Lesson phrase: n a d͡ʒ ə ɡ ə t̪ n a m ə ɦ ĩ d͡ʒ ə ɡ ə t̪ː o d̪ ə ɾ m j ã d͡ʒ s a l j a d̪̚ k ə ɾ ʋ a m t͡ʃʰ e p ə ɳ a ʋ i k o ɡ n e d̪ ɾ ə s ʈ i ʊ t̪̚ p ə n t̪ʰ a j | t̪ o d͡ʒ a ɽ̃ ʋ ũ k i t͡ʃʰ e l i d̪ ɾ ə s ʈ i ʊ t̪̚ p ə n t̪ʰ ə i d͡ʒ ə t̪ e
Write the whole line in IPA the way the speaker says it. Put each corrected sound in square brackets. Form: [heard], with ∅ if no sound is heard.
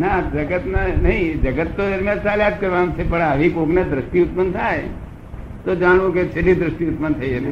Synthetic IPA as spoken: n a d͡ʒ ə ɡ ə t̪ n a [n] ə ɦ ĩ d͡ʒ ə ɡ ə t̪ː o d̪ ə ɾ m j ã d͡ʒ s a l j a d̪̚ k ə ɾ ʋ a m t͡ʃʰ e p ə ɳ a ʋ i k o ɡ n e d̪ ɾ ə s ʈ i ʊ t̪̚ p ə n t̪ʰ a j | t̪ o d͡ʒ a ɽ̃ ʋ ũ k [e] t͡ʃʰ e l i d̪ ɾ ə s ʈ i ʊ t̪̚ p ə n t̪ʰ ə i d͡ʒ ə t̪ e